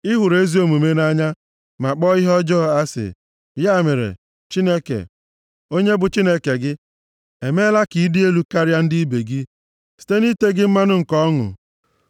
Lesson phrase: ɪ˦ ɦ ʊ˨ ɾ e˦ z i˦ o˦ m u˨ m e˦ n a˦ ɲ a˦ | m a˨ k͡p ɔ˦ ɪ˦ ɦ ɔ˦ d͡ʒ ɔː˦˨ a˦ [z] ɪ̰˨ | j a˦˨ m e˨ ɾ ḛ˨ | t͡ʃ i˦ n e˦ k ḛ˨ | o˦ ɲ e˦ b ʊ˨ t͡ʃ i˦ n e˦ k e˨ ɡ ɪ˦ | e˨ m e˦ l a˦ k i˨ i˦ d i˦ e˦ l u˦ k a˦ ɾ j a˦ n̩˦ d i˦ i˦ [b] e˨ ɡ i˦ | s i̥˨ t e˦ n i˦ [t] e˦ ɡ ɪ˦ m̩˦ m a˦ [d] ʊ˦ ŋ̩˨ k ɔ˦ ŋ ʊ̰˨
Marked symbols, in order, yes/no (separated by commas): no, yes, yes, no